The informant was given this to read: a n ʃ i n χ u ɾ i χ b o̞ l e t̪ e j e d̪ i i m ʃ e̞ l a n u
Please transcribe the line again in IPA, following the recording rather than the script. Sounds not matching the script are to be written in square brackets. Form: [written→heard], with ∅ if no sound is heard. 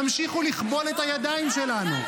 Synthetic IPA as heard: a [n→m] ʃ i [n→∅] χ u [ɾ→l] i χ b o̞ l e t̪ [e→a] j [e→a] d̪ [i→a] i m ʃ e̞ l a n u